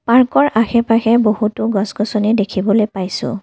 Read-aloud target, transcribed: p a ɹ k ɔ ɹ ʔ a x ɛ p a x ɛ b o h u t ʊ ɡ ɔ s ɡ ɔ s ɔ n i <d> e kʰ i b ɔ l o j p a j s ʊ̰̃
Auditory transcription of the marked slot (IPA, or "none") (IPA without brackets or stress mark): d